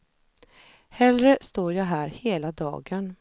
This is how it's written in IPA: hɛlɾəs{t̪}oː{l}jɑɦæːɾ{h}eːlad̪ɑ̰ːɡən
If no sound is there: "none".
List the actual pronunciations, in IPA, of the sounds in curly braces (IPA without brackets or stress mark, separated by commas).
t̪, ɾ, h